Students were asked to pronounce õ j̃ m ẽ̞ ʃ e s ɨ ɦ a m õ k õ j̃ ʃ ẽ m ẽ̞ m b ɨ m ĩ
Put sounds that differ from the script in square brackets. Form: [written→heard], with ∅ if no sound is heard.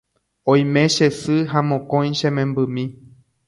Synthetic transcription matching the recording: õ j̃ m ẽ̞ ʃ e s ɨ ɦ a m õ k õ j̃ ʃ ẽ m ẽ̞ m b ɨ m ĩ